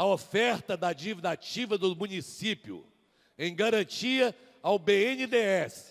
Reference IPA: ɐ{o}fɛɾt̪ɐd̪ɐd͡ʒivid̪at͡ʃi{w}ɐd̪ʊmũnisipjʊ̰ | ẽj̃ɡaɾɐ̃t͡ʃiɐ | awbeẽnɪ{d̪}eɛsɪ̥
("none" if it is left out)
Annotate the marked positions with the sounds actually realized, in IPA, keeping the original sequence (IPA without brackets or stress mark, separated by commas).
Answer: o, v, d̪